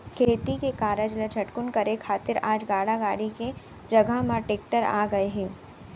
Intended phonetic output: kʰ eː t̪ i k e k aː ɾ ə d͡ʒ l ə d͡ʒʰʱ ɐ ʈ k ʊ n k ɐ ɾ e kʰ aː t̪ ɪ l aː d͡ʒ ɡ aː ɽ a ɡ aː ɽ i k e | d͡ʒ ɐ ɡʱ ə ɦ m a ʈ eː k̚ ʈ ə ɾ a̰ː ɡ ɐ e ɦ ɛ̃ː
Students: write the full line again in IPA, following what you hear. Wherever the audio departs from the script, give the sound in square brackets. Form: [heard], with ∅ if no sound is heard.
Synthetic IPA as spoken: kʰ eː t̪ i k e k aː ɾ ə d͡ʒ l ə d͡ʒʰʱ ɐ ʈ k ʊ n k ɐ ɾ e kʰ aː t̪ ɪ [ɾ] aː d͡ʒ ɡ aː ɽ a ɡ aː ɽ i k e | d͡ʒ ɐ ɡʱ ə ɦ m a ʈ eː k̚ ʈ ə ɾ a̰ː ɡ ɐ e ɦ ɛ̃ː